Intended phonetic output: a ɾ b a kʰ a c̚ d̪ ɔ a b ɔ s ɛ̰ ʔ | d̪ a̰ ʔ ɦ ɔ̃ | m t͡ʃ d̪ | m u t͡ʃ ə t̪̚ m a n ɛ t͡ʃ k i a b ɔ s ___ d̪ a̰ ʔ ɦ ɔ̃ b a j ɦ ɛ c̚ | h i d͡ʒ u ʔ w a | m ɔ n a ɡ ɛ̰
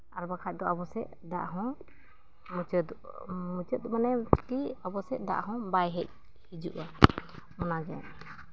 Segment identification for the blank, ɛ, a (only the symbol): ɛ